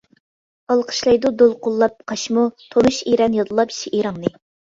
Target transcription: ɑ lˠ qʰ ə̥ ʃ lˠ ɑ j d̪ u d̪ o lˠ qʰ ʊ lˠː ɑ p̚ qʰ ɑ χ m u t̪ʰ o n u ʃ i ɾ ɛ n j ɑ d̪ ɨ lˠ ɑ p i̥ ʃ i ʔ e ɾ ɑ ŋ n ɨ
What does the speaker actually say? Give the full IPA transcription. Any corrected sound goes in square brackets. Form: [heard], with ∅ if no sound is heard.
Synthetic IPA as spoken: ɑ lˠ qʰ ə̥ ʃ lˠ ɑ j d̪ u d̪ o lˠ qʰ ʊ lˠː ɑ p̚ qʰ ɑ [ʃ] m u t̪ʰ o n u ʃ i ɾ ɛ n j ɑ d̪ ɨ lˠ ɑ p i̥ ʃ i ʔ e ɾ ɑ ŋ n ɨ

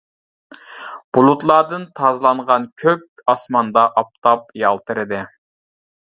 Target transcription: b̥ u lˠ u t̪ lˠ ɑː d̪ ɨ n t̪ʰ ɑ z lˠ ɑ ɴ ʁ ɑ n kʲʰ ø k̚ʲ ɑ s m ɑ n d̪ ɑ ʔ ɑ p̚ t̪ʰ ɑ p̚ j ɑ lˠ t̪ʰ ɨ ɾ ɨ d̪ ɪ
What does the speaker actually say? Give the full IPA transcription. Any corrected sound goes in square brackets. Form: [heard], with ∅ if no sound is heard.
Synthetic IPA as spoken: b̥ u lˠ u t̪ lˠ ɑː d̪ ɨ n t̪ʰ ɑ z lˠ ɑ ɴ ʁ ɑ n kʲʰ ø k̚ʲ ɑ s m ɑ n d̪ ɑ ʔ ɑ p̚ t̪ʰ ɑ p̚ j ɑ lˠ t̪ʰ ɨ ɾ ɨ d̪ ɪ

